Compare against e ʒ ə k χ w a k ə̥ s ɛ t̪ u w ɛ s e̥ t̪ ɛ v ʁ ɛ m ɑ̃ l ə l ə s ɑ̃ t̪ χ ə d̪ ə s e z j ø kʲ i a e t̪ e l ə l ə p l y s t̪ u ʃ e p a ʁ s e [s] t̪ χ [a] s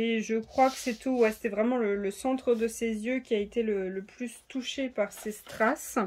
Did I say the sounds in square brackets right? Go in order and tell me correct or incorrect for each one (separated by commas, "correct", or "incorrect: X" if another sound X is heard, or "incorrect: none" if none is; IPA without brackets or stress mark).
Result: correct, correct